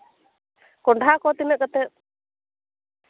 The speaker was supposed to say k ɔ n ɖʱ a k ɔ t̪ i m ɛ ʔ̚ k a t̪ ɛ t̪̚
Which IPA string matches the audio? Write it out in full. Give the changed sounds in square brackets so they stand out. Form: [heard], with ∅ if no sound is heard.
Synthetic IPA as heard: k ɔ [ɳ] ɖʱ a k ɔ t̪ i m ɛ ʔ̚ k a t̪ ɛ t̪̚